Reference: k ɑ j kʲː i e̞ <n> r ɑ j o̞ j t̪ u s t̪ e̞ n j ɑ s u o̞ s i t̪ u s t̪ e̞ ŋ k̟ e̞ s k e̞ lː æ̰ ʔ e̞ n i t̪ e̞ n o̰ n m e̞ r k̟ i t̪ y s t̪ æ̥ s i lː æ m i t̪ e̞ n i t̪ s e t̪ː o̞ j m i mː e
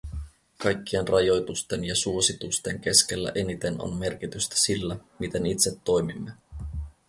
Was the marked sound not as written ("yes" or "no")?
no